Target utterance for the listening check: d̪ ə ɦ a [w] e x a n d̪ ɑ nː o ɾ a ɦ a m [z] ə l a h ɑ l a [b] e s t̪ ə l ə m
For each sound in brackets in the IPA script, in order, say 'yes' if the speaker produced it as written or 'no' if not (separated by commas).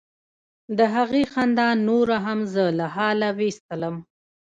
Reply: no, yes, no